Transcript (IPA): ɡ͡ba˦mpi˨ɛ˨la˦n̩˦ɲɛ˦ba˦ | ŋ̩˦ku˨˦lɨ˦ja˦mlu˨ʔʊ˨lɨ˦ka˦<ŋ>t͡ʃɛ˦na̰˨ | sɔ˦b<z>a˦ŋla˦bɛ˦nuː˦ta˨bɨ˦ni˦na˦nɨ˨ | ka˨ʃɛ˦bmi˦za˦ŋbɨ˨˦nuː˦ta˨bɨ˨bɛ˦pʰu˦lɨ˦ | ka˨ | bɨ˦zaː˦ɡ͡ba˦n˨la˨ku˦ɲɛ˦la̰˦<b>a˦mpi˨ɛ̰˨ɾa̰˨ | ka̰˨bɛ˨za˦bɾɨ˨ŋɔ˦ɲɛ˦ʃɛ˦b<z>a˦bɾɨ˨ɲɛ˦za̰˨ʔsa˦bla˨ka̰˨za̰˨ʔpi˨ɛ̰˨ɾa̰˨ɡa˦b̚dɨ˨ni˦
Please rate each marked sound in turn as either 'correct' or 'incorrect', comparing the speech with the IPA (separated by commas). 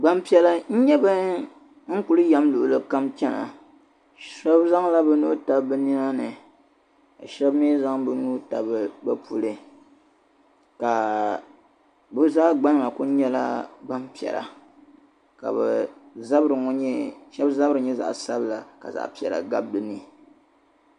incorrect, correct, correct, correct